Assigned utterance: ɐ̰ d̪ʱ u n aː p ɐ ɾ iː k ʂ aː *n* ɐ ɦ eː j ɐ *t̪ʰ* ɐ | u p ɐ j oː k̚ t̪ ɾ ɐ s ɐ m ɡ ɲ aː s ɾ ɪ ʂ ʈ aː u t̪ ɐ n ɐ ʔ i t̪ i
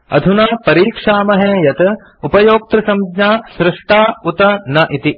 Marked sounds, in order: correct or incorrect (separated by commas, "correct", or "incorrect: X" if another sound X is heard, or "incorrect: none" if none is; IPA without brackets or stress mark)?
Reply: incorrect: m, incorrect: t̪